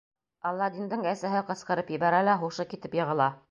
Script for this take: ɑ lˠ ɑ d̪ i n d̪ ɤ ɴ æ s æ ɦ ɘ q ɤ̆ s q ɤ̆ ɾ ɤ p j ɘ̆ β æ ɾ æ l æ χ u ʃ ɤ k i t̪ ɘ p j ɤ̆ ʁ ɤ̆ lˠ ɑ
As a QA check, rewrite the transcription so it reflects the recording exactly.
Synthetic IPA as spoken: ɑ lˠː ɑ d̪ i n d̪ ɤ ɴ æ s æ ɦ ɘ q ɤ̆ s q ɤ̆ ɾ ɤ p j ɘ̆ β æ ɾ æ l æ χ u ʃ ɤ k i t̪ ɘ p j ɤ̆ ʁ ɤ̆ lˠ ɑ